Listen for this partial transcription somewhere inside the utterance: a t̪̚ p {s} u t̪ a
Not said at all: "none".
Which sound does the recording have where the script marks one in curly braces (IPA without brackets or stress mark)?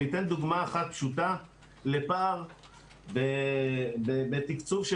ʃ